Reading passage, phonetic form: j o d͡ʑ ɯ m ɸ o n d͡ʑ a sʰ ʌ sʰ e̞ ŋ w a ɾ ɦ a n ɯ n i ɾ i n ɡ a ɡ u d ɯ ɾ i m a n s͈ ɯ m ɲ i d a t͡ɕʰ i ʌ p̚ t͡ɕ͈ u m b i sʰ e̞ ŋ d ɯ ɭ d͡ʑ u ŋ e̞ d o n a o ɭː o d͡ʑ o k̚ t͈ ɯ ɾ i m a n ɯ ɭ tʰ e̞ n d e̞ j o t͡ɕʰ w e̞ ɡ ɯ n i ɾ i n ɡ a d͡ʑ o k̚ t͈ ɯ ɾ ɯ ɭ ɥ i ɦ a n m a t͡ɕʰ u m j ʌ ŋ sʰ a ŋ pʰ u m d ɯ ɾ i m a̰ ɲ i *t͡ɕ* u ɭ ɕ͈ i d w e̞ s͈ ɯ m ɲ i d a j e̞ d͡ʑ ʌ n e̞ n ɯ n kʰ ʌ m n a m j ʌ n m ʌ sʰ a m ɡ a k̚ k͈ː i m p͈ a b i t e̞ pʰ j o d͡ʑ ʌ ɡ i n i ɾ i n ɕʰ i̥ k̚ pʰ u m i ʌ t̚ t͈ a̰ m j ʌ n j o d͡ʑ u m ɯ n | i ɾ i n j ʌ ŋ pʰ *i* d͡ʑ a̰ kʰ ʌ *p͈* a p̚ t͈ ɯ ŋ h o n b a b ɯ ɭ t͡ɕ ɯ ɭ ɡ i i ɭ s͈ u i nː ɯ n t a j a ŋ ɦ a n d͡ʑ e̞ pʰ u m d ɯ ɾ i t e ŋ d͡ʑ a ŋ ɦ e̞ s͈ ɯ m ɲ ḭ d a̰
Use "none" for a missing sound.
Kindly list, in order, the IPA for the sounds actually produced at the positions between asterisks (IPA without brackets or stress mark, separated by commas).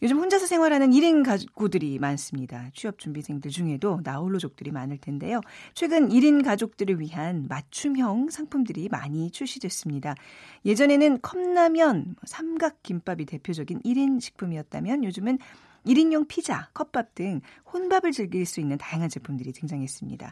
t͡ɕʰ, i, p͈